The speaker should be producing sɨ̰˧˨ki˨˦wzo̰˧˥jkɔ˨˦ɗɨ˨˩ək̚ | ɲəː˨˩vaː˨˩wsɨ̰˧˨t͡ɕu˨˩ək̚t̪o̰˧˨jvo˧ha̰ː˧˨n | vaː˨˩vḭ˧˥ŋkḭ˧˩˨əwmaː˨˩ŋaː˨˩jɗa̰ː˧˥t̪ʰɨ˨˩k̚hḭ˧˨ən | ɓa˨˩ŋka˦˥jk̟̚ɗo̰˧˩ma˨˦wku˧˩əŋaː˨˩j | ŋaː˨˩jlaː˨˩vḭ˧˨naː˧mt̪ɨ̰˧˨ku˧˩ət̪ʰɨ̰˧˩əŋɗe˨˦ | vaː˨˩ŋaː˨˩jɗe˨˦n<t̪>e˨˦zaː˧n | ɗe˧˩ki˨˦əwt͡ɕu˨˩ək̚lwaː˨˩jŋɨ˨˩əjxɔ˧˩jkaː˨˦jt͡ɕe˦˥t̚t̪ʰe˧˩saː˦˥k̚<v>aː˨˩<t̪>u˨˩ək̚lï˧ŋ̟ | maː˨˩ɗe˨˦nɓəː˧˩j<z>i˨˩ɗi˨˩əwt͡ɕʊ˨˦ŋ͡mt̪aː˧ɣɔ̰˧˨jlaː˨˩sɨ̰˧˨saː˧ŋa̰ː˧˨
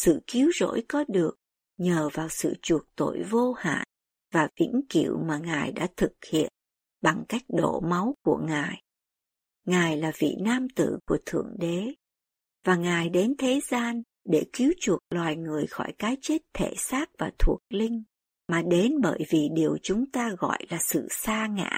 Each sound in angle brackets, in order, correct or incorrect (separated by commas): incorrect, correct, incorrect, incorrect